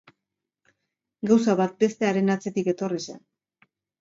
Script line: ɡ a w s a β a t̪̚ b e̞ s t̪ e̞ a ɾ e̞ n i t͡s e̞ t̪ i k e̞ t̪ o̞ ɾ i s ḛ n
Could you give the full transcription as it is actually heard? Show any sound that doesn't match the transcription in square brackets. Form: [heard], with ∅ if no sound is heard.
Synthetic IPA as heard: ɡ a w s a β a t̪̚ b e̞ s t̪ e̞ a ɾ e̞ n [a] t͡s e̞ t̪ i k e̞ t̪ o̞ [r] i s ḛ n